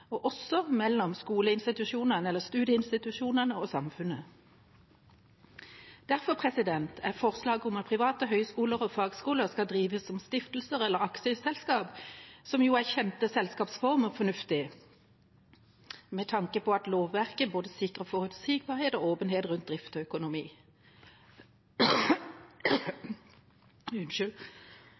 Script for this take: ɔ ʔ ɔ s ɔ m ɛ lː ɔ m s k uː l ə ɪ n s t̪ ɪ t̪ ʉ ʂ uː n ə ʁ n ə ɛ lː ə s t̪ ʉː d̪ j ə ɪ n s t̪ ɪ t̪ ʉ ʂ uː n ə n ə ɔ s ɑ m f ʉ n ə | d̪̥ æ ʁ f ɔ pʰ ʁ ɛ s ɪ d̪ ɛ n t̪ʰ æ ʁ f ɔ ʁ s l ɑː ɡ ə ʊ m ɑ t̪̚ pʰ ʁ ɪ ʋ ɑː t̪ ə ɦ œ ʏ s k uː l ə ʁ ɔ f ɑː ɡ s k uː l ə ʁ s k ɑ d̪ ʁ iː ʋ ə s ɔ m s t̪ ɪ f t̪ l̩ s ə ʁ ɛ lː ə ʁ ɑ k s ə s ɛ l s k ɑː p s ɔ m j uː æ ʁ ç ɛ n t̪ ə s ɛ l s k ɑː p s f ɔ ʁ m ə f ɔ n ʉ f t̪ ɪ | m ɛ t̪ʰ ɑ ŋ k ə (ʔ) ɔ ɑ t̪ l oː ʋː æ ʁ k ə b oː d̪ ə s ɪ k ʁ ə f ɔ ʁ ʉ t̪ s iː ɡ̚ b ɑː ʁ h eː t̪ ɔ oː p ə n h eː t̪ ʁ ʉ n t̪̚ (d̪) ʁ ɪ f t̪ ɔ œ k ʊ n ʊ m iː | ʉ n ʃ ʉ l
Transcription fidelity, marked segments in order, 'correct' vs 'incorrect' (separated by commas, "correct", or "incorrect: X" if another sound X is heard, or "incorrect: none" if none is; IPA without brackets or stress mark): incorrect: p, correct